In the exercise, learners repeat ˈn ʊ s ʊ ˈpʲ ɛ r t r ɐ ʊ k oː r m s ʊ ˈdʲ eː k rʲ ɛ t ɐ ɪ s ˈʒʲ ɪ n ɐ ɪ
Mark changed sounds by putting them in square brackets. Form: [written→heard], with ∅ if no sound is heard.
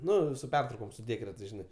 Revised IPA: ˈn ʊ s ʊ ˈpʲ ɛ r t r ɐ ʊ k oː [r→∅] m s ʊ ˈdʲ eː k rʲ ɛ t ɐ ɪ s ˈʒʲ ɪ n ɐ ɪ